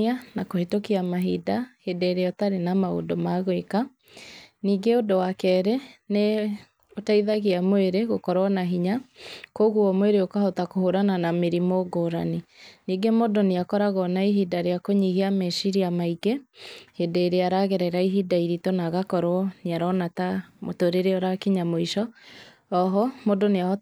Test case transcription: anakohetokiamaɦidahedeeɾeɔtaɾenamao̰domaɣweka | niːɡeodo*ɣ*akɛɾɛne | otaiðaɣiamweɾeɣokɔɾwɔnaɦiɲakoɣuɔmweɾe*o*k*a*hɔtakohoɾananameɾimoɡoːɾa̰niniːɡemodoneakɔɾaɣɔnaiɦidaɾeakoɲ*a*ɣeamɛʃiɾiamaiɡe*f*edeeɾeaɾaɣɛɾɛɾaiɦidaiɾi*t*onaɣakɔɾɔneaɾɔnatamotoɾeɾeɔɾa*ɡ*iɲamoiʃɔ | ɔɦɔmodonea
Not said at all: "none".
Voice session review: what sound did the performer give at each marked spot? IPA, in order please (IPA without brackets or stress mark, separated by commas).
w, o, a, i, h, t, k